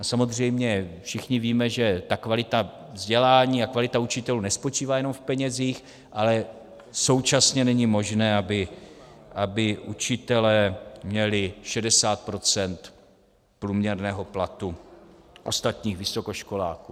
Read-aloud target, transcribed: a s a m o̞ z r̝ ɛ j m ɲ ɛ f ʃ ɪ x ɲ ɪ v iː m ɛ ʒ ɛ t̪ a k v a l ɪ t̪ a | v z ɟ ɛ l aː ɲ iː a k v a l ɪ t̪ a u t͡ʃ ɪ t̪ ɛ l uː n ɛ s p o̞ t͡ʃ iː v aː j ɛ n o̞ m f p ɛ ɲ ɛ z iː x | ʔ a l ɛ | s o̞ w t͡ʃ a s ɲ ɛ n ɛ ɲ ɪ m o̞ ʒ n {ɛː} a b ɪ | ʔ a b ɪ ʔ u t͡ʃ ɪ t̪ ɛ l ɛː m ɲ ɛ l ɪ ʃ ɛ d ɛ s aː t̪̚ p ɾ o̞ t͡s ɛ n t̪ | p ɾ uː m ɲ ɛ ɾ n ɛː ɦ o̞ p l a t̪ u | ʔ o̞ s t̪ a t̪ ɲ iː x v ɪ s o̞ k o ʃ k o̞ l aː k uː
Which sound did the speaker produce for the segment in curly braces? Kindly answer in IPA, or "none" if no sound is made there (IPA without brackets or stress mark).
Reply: ɛː